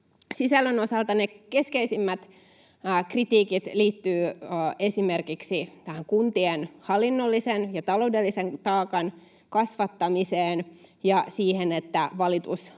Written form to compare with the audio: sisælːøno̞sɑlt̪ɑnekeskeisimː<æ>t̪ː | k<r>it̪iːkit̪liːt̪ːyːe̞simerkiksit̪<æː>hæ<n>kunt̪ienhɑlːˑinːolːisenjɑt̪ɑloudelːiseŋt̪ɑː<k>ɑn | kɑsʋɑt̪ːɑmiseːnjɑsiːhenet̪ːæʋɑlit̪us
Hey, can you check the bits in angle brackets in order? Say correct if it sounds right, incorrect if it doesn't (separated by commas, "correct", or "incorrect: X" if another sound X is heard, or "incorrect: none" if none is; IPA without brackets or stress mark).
correct, correct, incorrect: æ, incorrect: ŋ, correct